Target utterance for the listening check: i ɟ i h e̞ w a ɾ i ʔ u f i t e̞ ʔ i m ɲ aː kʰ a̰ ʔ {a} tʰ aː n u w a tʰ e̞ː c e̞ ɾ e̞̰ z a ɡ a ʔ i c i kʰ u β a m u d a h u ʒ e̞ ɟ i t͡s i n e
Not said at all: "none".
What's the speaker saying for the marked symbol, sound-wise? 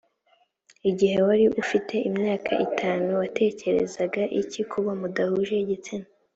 i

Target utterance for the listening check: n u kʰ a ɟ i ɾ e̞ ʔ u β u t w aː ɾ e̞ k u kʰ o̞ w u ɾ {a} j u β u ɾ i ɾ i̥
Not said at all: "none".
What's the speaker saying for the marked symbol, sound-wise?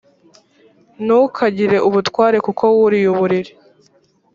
i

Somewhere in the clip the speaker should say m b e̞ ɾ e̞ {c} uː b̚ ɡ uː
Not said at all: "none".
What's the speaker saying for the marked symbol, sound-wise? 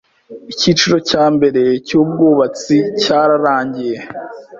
c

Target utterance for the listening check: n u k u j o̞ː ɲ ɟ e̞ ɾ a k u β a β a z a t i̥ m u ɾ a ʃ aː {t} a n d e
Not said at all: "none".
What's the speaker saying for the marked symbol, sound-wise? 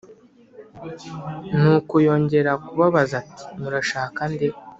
k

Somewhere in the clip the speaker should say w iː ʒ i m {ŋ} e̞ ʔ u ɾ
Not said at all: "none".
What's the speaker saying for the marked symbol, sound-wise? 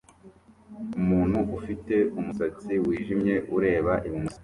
ɲ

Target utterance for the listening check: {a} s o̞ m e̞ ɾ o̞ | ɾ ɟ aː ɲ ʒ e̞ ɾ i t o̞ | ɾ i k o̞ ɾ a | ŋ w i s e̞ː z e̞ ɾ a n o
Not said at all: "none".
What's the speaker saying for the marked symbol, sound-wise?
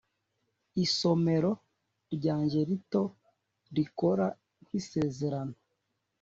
i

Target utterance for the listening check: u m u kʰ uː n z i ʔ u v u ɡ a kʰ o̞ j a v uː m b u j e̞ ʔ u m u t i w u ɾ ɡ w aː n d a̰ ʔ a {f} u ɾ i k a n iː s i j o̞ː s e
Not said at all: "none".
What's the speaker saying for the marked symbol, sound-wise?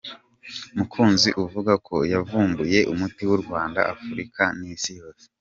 f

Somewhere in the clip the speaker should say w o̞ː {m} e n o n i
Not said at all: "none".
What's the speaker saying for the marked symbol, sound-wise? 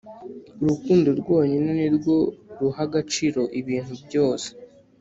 ɲ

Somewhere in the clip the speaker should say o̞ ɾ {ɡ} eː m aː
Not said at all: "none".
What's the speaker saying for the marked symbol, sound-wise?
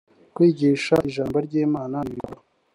ɟ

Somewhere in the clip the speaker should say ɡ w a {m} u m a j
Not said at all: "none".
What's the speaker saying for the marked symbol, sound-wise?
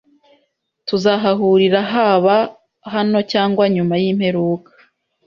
ɲ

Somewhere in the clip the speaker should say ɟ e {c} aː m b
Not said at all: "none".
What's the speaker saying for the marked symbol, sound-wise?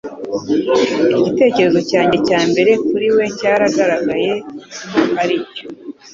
c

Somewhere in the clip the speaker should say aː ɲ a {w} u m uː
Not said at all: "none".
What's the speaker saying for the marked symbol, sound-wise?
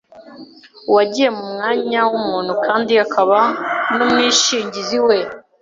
w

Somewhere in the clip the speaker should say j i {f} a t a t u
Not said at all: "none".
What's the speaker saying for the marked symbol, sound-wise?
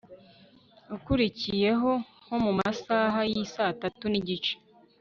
s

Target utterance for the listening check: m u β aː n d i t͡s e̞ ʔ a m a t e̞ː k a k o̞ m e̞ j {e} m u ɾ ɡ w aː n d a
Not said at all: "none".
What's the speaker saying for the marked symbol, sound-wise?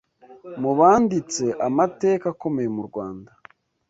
e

